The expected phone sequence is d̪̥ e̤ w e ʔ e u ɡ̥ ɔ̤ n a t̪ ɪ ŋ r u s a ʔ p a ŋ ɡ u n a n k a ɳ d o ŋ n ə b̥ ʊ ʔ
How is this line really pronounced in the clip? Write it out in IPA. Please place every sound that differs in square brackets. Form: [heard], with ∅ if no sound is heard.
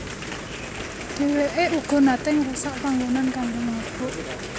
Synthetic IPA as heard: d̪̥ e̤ w e ʔ e u ɡ̥ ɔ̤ n a t̪ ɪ ŋ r u s a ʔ p a ŋ ɡ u n a n k a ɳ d o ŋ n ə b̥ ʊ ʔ